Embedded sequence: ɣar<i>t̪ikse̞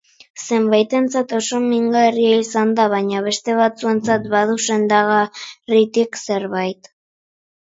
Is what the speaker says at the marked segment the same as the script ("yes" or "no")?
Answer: yes